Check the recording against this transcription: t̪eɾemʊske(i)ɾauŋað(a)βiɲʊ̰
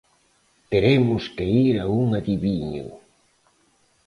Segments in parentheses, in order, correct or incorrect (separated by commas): correct, incorrect